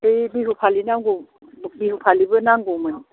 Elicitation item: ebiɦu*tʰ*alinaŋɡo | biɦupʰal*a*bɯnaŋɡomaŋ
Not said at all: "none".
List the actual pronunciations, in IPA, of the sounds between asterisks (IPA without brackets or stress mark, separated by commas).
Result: pʰ, i